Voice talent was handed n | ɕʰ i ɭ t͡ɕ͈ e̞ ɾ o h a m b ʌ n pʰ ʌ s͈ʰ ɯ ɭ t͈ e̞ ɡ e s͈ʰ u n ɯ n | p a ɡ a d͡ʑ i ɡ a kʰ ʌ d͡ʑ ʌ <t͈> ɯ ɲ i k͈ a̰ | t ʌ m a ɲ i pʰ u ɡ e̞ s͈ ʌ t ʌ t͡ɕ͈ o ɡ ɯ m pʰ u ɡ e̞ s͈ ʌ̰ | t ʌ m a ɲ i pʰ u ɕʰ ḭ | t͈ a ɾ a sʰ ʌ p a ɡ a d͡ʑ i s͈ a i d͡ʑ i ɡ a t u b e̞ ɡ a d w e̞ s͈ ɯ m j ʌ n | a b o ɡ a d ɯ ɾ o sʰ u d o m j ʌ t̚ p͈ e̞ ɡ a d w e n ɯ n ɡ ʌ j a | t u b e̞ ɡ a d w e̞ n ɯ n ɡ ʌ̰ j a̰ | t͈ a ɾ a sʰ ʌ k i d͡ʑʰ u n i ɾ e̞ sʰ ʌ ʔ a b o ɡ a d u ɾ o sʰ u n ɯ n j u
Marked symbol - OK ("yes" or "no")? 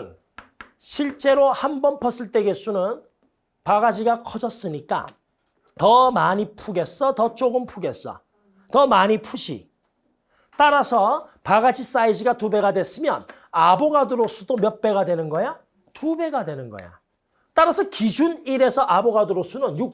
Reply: no